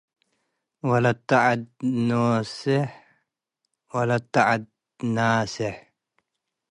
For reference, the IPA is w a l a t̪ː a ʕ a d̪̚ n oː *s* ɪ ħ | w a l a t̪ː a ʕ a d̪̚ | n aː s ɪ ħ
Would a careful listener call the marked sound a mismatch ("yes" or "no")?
no